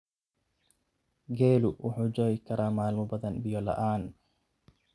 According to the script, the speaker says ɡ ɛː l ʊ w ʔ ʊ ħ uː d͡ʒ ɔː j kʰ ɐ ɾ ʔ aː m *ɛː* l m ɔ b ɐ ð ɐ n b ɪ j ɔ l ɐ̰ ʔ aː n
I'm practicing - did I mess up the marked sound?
yes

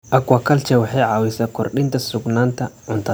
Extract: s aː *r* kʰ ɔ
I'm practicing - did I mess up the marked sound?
yes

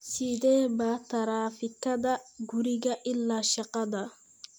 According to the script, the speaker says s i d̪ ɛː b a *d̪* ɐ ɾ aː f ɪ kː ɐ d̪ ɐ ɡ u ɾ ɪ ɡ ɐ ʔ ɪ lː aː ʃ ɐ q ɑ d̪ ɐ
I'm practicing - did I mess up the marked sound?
yes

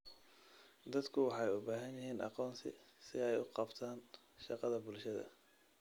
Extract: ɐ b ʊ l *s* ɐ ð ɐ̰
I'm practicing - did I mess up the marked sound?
yes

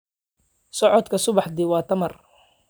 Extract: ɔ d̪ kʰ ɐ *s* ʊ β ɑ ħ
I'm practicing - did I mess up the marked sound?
no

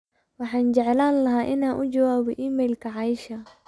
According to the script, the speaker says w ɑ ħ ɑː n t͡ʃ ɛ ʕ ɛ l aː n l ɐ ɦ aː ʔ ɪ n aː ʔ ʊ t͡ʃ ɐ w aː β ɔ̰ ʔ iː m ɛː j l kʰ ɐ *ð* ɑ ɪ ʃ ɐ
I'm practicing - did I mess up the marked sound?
yes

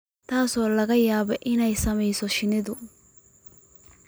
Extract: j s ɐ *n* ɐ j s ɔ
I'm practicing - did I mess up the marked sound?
yes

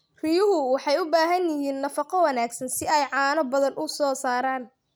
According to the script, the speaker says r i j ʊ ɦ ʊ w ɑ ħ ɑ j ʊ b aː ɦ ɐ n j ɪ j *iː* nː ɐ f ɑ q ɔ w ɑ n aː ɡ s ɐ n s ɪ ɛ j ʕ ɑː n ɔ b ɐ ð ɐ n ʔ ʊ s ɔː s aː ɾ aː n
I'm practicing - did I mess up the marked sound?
no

